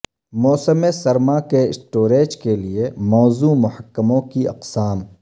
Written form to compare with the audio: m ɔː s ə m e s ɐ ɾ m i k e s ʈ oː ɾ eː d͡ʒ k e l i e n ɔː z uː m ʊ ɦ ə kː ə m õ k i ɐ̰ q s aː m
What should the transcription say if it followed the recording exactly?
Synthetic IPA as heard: m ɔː s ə m e s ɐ ɾ m a k e s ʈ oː ɾ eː d͡ʒ k e l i e m ɔː z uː m ʊ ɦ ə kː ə m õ k i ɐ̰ q s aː m